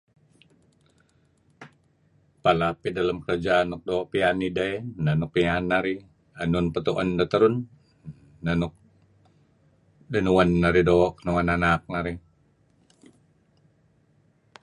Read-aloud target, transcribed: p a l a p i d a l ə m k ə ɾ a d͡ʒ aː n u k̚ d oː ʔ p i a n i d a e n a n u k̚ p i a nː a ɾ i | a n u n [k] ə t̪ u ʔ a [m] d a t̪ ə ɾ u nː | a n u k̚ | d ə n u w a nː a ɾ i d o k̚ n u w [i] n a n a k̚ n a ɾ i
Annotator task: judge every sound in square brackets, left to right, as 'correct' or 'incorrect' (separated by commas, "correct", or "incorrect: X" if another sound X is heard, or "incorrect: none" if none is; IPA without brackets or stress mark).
incorrect: p, incorrect: n, incorrect: a